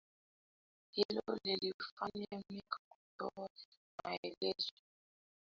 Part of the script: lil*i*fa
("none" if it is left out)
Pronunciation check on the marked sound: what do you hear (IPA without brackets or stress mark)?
i